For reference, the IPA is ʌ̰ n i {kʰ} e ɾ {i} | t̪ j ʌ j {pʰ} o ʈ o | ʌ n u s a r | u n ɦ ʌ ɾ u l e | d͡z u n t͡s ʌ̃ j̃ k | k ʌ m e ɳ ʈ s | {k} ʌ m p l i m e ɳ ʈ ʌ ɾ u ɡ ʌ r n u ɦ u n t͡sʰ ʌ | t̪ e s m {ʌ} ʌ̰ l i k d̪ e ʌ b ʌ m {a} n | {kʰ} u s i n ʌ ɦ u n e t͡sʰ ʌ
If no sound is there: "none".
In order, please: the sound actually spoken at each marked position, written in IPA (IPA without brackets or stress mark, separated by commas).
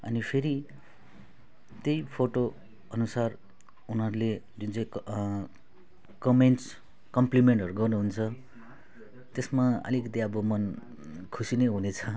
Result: pʰ, i, pʰ, k, a, ʌ, kʰ